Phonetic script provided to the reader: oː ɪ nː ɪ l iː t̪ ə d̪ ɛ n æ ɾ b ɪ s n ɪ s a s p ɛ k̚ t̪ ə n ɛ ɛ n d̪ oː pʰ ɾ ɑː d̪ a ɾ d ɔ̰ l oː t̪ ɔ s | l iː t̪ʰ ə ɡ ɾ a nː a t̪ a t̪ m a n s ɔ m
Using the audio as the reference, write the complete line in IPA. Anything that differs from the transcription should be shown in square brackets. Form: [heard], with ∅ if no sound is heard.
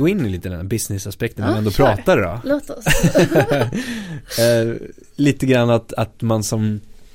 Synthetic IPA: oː ɪ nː ɪ l iː t̪ ə d̪ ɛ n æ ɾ b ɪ s n ɪ s a s p ɛ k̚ t̪ ə n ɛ ɛ n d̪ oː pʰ ɾ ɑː [t̪] a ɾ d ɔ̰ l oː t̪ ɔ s | l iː [t̪] ə ɡ ɾ a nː a t̪ a t̪ m a n s ɔ m